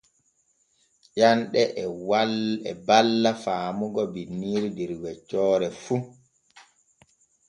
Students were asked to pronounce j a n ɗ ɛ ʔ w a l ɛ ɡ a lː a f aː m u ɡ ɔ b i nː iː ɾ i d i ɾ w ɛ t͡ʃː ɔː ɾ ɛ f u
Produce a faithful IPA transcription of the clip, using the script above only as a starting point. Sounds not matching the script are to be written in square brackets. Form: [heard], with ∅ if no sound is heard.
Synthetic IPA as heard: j a n ɗ ɛ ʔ w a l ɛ [b] a lː a f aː m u ɡ ɔ b i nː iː ɾ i d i ɾ w ɛ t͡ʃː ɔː ɾ ɛ f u